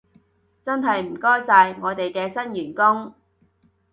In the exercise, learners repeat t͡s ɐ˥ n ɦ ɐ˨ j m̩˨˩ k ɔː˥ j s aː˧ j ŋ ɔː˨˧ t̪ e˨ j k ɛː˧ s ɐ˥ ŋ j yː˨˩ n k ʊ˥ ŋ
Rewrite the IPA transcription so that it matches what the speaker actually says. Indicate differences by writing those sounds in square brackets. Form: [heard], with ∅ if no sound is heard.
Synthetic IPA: t͡s ɐ˥ n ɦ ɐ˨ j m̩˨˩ k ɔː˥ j s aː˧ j ŋ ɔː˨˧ t̪ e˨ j k ɛː˧ s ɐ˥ [n] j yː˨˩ n k ʊ˥ ŋ